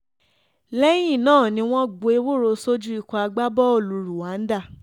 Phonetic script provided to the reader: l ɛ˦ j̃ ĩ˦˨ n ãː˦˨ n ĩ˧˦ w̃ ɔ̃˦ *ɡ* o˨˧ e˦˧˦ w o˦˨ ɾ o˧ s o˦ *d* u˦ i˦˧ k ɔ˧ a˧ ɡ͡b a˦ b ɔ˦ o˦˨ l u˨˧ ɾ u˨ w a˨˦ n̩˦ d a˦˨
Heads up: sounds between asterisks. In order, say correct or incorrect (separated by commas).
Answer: incorrect, incorrect